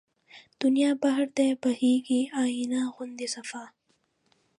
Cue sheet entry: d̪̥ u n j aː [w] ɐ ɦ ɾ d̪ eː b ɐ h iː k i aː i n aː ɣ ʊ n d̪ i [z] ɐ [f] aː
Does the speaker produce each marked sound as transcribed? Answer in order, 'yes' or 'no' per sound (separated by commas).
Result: no, no, yes